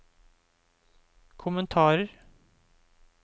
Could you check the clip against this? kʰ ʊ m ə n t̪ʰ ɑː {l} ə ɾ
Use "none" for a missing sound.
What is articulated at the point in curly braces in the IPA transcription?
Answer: ɾ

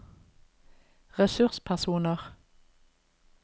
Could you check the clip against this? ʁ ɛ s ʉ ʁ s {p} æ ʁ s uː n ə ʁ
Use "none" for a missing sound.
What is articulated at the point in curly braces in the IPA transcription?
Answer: pʰ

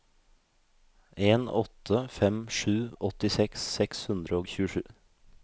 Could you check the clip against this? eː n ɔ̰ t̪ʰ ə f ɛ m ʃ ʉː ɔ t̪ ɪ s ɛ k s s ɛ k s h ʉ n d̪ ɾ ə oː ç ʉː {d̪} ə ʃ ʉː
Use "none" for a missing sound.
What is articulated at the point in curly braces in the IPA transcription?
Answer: none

